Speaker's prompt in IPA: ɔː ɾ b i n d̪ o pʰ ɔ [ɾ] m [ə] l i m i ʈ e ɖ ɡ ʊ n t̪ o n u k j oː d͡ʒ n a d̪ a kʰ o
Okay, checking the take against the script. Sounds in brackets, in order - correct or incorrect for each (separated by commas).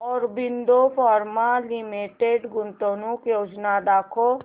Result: correct, incorrect